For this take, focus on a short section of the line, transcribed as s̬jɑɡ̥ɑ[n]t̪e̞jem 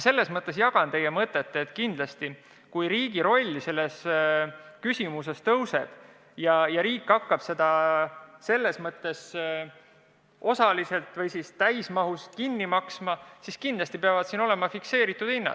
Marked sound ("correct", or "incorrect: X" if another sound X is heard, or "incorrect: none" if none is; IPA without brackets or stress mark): correct